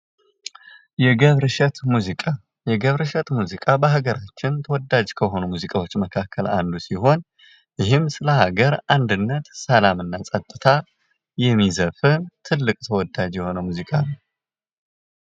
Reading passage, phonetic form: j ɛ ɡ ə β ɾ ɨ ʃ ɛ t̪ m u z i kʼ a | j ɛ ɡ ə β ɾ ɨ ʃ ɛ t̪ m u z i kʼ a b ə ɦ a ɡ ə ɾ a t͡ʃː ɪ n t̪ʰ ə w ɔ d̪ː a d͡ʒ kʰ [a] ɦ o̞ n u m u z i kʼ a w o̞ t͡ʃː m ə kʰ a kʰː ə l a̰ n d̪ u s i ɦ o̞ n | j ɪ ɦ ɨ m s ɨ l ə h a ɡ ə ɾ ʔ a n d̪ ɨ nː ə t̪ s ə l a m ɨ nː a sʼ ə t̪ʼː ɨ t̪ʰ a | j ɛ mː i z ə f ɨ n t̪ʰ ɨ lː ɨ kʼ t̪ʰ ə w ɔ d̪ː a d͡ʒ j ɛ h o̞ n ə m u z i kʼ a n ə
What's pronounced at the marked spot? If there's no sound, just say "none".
ə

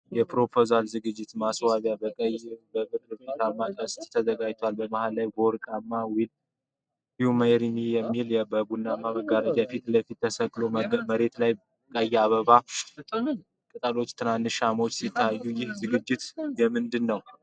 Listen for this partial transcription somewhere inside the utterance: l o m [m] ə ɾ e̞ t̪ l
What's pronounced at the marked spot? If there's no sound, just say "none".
m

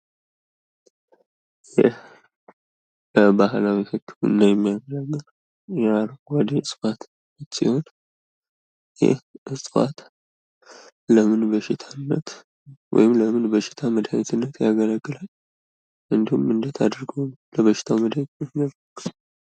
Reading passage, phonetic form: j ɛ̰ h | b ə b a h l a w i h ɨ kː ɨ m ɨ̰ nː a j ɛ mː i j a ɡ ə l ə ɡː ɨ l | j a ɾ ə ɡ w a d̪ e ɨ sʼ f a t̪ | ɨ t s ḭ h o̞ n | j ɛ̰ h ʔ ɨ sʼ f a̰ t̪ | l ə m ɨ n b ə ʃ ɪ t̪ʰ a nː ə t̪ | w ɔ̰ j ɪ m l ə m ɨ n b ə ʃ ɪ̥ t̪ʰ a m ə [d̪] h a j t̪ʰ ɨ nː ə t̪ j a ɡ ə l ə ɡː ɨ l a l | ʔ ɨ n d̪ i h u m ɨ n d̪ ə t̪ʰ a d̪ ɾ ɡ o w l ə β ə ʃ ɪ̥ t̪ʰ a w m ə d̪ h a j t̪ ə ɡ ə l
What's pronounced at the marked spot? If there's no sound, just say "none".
d̪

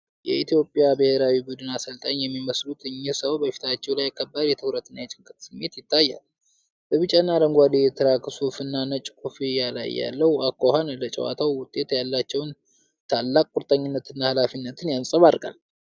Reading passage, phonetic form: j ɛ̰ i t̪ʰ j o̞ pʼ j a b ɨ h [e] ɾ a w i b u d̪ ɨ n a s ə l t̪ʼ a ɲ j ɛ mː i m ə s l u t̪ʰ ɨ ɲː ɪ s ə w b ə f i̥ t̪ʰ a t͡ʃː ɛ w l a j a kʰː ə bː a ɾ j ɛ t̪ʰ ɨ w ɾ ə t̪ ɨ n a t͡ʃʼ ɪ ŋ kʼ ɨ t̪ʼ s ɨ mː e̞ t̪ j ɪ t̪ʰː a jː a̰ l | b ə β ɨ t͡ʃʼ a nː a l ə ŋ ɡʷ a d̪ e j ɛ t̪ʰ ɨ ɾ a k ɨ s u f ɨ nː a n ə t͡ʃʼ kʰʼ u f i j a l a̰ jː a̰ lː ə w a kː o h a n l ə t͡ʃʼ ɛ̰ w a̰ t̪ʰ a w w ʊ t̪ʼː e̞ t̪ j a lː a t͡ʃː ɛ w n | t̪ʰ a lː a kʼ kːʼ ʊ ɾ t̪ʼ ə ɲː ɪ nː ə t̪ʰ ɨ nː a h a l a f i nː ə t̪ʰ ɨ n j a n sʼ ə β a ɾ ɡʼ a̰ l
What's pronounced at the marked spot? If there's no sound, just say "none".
e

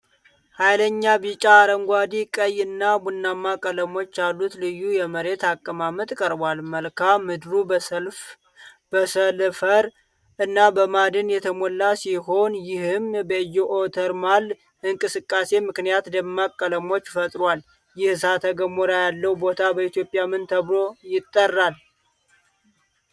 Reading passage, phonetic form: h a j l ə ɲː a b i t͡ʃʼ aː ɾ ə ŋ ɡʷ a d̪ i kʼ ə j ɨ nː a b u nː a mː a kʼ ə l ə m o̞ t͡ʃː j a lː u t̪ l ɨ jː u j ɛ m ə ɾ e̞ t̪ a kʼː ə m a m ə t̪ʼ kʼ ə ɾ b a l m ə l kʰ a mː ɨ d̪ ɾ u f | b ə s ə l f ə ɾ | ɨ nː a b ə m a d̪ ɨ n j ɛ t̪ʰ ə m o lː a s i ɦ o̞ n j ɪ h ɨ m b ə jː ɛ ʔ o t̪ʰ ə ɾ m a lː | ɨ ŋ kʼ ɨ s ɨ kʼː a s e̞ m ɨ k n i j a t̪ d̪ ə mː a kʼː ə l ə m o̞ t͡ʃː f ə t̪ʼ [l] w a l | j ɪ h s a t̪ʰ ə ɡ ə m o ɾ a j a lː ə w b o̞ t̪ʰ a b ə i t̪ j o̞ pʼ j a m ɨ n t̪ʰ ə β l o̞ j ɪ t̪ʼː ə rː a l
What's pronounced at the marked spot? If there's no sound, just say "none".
ɾ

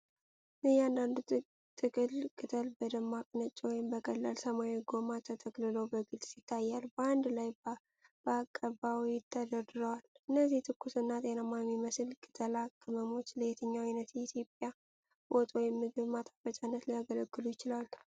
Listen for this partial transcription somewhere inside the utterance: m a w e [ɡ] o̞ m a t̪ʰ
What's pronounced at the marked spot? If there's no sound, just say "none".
ɡ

